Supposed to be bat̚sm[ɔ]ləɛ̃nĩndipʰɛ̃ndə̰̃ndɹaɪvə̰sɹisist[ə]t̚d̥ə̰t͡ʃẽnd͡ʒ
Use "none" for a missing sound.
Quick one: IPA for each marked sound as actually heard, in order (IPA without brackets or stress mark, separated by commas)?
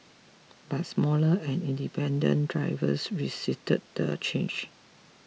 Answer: ɔ, ə